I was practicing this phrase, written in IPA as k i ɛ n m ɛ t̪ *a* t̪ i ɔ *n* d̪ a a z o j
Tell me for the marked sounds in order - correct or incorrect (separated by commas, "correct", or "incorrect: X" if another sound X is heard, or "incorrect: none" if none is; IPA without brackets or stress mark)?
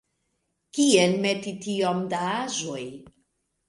incorrect: i, incorrect: m